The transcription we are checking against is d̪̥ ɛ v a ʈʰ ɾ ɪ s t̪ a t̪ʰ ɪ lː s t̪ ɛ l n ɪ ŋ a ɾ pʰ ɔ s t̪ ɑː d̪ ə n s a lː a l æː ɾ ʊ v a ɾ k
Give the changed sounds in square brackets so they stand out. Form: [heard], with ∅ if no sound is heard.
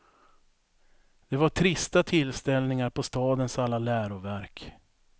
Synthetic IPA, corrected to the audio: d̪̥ ɛ v a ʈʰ ɾ ɪ s t̪ a t̪ʰ ɪ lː s t̪ ɛ l n ɪ ŋ a ɾ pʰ ɔ s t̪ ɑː d̪ ə n s a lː a l æː ɾ ʊ v [æ] ɾ k